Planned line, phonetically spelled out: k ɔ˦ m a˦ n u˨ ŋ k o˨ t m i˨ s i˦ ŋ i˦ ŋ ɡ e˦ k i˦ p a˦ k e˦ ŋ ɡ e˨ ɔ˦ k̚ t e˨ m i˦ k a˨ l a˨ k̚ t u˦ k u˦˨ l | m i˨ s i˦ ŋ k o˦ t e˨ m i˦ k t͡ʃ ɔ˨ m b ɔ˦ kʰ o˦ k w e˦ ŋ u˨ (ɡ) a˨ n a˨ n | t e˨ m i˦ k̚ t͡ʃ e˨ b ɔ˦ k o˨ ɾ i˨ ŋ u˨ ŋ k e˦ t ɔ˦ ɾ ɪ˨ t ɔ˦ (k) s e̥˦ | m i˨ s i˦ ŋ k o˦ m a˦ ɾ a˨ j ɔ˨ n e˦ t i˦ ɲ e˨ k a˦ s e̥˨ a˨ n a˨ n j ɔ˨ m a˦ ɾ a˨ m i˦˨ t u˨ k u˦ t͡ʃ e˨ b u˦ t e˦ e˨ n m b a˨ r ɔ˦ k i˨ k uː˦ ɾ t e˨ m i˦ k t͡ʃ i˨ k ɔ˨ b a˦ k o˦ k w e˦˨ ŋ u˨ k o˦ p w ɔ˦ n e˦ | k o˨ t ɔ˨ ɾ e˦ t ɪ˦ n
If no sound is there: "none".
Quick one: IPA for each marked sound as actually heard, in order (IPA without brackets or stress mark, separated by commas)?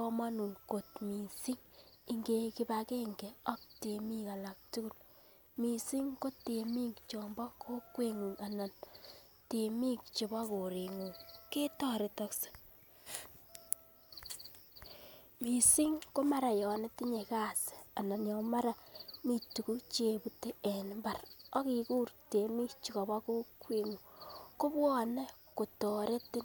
ŋ, k